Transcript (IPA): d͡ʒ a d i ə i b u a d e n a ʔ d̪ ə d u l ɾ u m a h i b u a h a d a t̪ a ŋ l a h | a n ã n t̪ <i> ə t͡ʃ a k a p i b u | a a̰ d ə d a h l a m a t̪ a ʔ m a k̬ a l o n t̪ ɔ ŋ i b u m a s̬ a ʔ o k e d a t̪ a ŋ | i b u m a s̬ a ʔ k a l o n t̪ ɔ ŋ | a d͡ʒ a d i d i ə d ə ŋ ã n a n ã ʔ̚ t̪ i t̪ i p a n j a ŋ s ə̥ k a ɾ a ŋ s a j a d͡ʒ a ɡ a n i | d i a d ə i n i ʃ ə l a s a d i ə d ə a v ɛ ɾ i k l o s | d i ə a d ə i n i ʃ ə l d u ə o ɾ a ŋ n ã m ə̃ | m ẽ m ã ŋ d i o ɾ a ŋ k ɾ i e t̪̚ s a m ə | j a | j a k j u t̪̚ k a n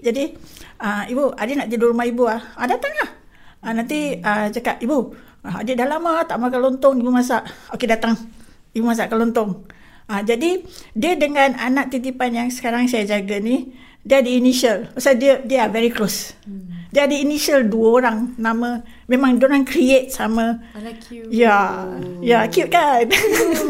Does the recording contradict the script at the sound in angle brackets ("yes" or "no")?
no